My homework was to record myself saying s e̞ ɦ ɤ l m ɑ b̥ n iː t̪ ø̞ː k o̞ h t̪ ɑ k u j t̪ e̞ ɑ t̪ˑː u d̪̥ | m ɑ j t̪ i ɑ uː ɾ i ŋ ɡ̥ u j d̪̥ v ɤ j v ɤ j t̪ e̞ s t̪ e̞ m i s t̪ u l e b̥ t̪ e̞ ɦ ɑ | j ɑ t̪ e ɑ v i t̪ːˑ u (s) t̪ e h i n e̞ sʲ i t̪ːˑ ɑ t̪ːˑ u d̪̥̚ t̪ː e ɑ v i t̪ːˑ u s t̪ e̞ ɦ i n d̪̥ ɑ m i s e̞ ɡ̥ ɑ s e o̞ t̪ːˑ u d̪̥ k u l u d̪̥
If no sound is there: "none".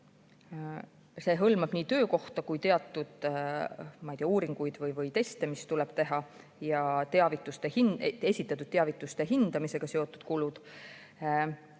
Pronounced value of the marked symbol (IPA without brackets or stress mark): s